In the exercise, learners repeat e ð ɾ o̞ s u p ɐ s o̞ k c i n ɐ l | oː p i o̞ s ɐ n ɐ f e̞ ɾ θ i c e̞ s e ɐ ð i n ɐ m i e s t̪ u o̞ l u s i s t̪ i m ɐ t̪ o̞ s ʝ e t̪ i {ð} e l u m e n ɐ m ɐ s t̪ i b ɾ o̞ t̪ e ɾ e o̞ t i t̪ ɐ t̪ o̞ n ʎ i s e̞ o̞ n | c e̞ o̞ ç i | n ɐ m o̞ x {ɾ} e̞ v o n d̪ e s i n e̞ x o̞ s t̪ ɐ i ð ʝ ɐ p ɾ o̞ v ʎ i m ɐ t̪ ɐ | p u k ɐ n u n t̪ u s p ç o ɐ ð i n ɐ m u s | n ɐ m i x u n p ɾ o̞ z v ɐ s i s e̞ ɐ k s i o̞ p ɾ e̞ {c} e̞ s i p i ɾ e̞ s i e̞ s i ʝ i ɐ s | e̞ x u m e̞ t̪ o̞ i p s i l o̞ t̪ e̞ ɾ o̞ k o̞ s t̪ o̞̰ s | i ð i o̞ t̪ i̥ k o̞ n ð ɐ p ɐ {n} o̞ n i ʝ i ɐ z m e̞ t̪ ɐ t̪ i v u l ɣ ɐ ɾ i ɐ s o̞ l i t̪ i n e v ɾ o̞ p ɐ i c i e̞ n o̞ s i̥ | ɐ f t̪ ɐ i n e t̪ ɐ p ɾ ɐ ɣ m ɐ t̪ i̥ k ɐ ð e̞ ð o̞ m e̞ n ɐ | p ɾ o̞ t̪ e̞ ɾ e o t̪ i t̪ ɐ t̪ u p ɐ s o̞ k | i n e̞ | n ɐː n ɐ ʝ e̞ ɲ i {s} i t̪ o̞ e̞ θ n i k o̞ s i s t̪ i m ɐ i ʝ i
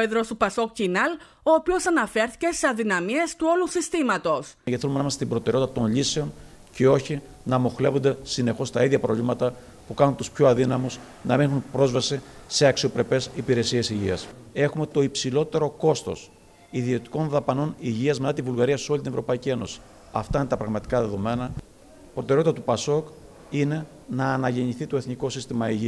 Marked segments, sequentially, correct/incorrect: incorrect, incorrect, incorrect, correct, incorrect

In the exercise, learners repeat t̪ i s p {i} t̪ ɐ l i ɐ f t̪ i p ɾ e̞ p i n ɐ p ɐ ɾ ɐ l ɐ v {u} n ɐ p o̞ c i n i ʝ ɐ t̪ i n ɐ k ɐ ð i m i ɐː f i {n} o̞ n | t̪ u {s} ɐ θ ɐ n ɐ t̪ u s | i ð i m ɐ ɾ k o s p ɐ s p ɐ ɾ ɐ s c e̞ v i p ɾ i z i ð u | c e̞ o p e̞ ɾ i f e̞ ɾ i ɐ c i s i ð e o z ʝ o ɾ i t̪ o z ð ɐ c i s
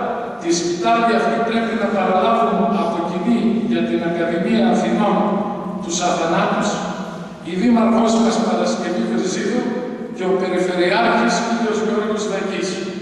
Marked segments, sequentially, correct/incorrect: correct, correct, correct, correct

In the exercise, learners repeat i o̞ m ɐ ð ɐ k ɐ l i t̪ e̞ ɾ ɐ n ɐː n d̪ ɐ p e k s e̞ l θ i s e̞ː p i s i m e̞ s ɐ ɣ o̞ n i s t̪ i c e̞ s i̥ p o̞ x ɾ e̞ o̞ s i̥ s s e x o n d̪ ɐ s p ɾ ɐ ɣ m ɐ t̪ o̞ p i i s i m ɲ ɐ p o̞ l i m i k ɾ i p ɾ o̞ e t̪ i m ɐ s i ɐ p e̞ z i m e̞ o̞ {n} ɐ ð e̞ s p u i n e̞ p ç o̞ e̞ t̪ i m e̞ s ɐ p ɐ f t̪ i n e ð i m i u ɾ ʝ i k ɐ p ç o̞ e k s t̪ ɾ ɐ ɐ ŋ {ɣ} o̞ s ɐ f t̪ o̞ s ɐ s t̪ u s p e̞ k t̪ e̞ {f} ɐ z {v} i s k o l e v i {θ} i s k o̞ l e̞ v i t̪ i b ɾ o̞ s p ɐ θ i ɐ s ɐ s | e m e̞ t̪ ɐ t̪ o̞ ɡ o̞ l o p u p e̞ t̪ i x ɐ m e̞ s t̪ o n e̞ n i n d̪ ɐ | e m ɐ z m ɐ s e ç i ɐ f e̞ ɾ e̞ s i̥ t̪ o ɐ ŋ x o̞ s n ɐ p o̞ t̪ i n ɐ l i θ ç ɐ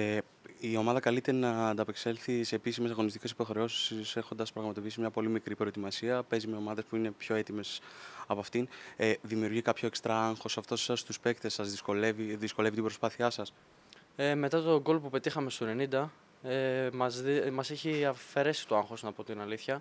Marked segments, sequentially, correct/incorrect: incorrect, incorrect, incorrect, incorrect, incorrect

